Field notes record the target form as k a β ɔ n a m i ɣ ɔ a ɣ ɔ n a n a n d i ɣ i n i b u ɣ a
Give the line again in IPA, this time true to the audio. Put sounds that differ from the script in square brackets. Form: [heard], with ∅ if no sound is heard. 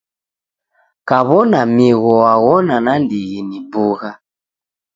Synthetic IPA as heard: k a β ɔ n a m i ɣ ɔ a ɣ ɔ n a n a n d i ɣ i n i b u ɣ a